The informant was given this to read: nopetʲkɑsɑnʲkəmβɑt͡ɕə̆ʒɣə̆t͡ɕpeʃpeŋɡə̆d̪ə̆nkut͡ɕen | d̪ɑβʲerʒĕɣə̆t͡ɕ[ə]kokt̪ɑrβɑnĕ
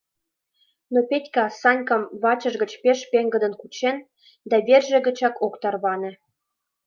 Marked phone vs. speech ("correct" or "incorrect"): incorrect